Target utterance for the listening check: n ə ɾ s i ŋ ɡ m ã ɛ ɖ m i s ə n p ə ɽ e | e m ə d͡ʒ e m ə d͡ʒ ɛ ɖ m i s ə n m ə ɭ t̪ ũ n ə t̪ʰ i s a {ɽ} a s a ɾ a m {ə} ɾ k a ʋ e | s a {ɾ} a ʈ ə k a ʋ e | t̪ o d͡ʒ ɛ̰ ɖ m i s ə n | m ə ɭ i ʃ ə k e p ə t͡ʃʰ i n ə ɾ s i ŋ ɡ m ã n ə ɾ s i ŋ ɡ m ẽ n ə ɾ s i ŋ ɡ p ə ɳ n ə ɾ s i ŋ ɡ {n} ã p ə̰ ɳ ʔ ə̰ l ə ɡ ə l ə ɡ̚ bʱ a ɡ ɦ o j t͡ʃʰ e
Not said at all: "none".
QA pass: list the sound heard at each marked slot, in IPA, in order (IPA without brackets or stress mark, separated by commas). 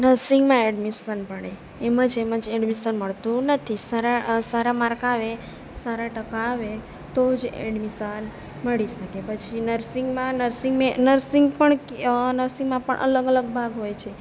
ɾ, a, ɾ, m